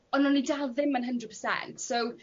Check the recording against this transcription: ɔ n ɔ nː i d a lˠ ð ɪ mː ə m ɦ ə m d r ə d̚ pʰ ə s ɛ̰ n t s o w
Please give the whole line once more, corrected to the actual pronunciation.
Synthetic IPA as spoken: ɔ n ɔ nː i d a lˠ ð ɪ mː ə n ɦ ə n d r ə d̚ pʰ ə s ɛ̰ n t s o w

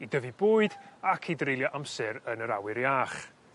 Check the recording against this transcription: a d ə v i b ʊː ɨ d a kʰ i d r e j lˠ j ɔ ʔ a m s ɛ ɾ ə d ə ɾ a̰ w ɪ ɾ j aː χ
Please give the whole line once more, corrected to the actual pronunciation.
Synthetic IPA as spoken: i d ə v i b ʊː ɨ d a kʰ i d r e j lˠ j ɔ ʔ a m s ɛ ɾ ə n ə ɾ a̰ w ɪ ɾ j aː χ

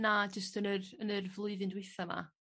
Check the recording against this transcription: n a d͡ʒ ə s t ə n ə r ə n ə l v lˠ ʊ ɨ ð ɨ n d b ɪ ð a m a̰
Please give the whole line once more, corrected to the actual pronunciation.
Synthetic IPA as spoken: n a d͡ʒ ə s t ə n ə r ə n ə r v lˠ ʊ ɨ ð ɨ n d w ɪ θ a m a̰

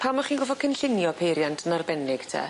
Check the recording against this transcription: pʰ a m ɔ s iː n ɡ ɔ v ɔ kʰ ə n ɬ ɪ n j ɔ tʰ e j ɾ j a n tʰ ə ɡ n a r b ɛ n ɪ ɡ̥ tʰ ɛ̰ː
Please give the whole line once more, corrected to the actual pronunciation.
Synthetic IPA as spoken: pʰ a m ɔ χ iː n ɡ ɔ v ɔ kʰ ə n ɬ ɪ n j ɔ pʰ e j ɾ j a n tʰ ə n a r b ɛ n ɪ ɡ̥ tʰ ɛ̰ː

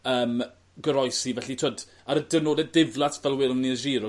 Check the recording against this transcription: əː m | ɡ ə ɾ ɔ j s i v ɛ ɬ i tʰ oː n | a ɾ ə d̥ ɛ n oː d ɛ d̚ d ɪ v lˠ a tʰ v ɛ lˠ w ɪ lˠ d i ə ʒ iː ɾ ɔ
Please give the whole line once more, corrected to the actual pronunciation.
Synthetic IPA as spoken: əː m | ɡ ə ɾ ɔ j s i v ɛ ɬ i tʰ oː d | a ɾ ə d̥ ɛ n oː d ɛ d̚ d ɪ v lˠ a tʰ v ɛ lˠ w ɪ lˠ n i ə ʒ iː ɾ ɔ

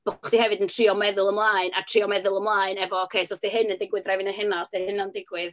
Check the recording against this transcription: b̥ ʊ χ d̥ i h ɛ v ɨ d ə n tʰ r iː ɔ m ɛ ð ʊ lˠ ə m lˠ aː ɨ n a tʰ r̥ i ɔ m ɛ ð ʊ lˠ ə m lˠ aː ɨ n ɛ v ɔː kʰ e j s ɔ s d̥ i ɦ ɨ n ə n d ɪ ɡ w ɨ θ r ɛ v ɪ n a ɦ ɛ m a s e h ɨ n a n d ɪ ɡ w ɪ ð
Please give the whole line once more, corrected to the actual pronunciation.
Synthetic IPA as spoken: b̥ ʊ χ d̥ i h ɛ v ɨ d ə n tʰ r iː ɔ m ɛ ð ʊ lˠ ə m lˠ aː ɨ n a tʰ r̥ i ɔ m ɛ ð ʊ lˠ ə m lˠ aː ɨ n ɛ v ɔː kʰ e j s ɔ s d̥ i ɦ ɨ n ə n d ɪ ɡ w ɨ ð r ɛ v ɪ n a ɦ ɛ n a s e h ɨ n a n d ɪ ɡ w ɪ ð

